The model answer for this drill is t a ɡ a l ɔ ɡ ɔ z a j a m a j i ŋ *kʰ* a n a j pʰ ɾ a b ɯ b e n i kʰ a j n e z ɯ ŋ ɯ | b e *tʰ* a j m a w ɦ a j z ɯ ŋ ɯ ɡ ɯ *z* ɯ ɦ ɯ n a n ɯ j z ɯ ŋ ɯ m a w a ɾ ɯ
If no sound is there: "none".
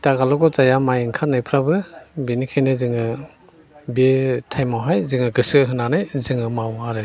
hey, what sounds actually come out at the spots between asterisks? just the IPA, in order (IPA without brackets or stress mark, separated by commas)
kʰ, tʰ, s